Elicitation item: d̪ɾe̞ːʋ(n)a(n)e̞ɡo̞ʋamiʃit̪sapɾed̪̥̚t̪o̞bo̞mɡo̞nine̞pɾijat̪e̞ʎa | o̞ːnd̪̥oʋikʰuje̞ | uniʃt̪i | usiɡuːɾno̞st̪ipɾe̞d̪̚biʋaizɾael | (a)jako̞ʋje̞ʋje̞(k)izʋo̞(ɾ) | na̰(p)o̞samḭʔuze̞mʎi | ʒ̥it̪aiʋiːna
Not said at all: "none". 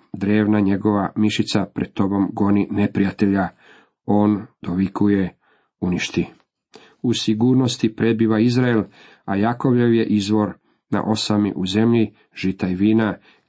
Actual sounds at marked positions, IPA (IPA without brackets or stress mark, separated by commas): n, ɲ, a, ʔ, ɾ, ʔ